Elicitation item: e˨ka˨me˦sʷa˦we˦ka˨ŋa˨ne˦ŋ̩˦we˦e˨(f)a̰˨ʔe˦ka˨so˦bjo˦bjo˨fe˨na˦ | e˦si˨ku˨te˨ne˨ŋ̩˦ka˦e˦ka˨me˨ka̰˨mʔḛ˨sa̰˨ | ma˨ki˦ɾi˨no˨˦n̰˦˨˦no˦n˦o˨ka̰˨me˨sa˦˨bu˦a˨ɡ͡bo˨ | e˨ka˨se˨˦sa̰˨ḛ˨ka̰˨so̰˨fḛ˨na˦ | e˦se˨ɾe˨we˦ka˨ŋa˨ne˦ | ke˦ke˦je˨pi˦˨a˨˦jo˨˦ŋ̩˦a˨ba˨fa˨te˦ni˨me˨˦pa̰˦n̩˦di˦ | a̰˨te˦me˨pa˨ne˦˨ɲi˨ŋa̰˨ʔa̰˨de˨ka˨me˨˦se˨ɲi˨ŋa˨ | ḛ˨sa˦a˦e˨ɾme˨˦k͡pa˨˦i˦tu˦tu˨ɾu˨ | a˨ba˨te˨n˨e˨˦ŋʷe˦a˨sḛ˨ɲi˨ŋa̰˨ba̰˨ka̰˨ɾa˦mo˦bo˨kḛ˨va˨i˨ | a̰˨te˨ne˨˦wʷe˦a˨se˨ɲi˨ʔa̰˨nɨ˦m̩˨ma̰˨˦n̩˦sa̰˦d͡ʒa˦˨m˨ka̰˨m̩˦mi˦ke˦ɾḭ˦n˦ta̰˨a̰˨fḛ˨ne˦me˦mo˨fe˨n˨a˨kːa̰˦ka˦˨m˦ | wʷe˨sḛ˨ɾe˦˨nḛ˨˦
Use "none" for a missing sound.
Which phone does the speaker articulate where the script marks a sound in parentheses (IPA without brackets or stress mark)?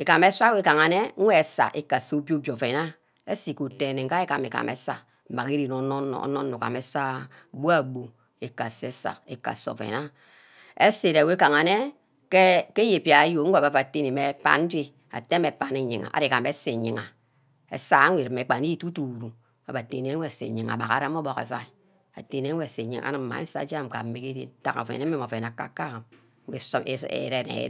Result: s